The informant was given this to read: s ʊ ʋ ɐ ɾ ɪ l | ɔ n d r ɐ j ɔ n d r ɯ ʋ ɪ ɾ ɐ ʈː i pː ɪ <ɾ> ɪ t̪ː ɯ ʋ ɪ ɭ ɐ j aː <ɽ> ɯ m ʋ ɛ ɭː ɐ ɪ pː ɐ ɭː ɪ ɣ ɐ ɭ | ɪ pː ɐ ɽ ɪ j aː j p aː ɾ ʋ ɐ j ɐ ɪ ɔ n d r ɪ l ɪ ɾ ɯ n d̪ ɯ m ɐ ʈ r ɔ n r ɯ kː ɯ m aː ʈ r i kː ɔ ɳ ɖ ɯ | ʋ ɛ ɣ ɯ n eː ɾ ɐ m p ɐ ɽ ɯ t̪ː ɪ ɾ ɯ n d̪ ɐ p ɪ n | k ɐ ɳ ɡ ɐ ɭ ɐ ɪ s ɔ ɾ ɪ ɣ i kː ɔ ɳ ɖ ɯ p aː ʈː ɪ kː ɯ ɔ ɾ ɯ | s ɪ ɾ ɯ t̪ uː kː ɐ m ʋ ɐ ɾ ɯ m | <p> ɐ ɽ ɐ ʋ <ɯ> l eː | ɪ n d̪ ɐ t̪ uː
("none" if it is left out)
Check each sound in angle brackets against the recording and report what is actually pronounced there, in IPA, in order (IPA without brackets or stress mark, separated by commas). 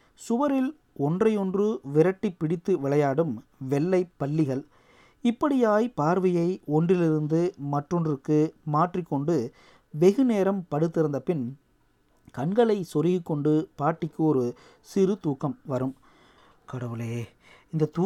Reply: ɽ, ɽ, k, ɯ